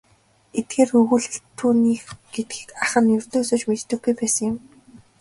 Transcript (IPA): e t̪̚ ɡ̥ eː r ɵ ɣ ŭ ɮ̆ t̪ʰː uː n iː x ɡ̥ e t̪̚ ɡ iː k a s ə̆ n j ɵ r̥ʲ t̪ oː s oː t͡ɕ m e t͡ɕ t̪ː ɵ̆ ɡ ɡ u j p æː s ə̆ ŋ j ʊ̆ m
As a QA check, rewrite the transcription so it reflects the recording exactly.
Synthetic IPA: e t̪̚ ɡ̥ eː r ɵ ɣ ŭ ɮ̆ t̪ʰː uː n iː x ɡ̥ e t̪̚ ɡ iː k a χ ə̆ n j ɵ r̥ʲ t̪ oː s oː t͡ɕ m e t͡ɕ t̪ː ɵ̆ ɡ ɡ u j p æː s ə̆ ŋ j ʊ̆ m